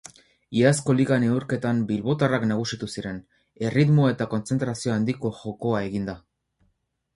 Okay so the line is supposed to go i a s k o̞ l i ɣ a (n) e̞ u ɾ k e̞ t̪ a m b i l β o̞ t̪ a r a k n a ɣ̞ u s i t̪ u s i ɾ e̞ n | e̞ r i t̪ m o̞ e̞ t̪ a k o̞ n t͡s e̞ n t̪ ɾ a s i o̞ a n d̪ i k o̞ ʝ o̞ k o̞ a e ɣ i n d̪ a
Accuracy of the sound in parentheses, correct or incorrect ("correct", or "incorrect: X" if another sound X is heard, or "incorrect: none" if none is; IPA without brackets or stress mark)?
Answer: correct